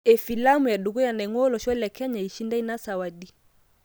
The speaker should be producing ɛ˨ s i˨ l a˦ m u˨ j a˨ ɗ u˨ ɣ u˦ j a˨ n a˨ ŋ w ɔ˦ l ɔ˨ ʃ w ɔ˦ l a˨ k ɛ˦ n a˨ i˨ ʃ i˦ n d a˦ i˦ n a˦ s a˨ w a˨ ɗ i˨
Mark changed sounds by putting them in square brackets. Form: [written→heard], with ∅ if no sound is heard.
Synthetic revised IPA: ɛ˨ [s→f] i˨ l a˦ m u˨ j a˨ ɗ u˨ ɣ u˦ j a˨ n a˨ ŋ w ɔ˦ l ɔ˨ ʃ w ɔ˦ l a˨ k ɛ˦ [n→ɲ] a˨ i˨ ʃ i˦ n d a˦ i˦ n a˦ s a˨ w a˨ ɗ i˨

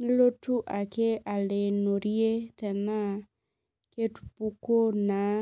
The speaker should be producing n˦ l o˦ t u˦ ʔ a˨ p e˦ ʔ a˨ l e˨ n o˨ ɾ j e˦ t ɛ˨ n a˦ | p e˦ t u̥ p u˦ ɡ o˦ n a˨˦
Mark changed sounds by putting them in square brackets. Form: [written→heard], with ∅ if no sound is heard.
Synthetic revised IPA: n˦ l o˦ t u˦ ʔ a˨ [p→k] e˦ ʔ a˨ l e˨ n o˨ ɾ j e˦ t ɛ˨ n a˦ | [p→k] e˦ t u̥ p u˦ [ɡ→k] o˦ n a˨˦

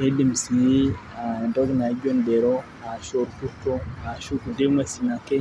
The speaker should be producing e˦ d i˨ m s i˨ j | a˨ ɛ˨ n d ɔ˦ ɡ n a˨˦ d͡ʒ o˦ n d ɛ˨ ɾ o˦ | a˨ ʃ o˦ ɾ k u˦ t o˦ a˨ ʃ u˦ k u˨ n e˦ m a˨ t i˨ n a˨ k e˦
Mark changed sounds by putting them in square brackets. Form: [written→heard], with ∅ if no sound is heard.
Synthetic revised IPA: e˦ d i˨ m s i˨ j | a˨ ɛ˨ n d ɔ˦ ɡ n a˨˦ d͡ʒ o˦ n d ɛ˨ ɾ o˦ | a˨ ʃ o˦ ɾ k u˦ t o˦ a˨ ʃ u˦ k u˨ [n→d] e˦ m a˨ [t→s] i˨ n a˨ k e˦

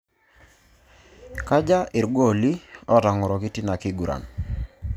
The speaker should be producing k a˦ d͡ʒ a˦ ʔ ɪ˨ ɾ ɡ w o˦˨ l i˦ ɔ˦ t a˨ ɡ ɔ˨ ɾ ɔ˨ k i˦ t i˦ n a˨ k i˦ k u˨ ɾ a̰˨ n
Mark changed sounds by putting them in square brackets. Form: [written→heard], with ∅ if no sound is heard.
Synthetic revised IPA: k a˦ d͡ʒ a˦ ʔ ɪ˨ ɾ ɡ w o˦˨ l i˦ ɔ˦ t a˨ [ɡ→ŋ] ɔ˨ ɾ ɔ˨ k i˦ t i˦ n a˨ k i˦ [k→ɡ] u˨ ɾ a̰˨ n

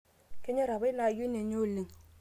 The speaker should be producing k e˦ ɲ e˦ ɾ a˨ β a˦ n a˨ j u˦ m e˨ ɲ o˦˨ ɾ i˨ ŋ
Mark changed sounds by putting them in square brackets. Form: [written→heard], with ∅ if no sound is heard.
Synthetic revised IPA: k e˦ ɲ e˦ ɾ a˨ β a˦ n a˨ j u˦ [m→n] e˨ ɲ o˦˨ [ɾ→l] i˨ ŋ

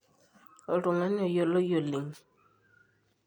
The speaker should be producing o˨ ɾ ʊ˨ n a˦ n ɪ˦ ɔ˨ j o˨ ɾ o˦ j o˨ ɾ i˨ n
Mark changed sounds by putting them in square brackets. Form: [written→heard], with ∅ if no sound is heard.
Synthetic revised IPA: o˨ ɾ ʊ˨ [n→ŋ] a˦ n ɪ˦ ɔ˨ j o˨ [ɾ→l] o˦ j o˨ [ɾ→l] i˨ [n→ŋ]

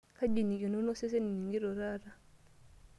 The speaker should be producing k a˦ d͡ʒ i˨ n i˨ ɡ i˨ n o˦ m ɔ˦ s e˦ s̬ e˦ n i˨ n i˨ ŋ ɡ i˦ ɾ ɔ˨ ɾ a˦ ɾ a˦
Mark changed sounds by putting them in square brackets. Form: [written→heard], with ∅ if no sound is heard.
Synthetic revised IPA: k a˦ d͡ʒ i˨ n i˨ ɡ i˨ n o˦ [m→n] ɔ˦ s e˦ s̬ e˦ n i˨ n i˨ ŋ ɡ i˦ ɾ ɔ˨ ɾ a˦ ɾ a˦

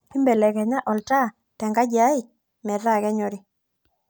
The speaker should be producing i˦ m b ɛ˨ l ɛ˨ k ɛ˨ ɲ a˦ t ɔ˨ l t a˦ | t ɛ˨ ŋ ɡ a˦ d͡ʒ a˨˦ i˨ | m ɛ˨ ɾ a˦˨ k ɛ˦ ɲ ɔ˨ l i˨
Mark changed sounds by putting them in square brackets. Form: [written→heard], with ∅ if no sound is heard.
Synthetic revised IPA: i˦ m b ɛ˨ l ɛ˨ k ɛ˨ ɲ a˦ [t→ʔ] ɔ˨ l t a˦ | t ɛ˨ ŋ ɡ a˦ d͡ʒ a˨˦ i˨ | m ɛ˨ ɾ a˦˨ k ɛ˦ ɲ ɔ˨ [l→ɾ] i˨

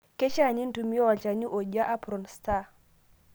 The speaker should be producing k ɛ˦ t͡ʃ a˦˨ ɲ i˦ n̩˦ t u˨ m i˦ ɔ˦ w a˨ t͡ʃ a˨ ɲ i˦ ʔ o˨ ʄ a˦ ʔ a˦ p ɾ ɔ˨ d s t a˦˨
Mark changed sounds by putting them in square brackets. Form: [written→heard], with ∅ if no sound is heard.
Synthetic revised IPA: k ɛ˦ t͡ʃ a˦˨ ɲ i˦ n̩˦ t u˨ m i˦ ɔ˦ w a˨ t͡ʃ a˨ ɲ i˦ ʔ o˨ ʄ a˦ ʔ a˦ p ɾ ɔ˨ [d→n] s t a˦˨

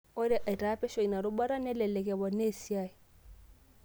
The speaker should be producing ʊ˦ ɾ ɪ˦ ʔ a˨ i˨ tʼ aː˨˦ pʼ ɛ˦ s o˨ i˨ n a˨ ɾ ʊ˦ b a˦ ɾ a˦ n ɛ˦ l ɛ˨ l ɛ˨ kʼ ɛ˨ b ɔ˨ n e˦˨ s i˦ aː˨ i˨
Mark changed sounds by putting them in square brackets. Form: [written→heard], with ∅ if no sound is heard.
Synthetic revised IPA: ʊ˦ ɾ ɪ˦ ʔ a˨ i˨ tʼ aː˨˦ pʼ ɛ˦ [s→ʃ] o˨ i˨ n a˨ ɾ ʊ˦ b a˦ ɾ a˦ n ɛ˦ l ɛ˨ l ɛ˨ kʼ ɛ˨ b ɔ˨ n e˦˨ s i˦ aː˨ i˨

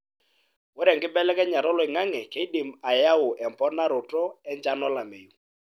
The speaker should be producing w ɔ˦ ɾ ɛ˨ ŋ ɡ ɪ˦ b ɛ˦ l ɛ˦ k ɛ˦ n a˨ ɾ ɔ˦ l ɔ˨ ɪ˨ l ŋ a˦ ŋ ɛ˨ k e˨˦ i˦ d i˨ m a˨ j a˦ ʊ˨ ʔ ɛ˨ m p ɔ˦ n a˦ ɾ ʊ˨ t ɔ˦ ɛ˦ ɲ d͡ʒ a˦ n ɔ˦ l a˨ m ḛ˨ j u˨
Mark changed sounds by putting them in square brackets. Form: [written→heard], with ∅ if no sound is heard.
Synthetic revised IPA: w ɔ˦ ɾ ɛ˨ ŋ ɡ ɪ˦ b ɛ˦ l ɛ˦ k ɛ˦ [n→ɲ] a˨ ɾ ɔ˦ l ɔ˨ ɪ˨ [l→∅] ŋ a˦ ŋ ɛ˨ k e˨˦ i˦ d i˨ m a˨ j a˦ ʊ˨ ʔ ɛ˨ m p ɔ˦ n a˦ ɾ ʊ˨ t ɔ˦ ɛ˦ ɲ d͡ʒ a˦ n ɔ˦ l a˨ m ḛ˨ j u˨

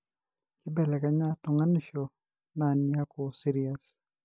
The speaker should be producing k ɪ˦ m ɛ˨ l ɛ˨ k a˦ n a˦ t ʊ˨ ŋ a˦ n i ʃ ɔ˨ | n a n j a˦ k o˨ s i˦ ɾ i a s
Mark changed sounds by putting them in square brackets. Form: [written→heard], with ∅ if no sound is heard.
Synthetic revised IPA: k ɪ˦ [m→b] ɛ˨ l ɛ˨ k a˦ [n→ɲ] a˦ t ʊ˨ ŋ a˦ n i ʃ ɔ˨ | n a n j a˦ k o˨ s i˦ ɾ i a s

